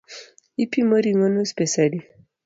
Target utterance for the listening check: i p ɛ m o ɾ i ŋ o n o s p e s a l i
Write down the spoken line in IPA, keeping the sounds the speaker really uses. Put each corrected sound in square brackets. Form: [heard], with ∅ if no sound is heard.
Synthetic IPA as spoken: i p [i] m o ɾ i ŋ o n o s p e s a l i